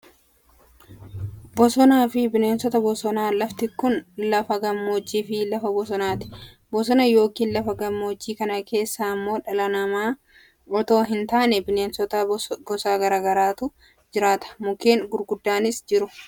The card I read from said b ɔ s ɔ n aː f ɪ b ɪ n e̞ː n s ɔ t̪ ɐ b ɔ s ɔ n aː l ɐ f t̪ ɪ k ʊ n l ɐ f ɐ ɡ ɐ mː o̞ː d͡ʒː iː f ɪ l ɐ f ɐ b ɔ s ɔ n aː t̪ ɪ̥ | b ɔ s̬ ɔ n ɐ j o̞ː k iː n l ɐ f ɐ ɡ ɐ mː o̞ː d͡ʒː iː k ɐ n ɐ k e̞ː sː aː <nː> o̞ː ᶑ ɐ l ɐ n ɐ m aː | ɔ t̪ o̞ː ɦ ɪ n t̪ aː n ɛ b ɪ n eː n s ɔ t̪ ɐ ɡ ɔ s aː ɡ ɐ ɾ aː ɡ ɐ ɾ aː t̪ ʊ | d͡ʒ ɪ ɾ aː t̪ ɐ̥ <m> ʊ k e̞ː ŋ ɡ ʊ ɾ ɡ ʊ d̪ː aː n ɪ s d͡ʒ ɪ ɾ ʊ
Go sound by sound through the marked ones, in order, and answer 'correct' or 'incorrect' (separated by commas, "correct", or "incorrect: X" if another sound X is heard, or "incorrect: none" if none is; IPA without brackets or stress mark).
incorrect: mː, correct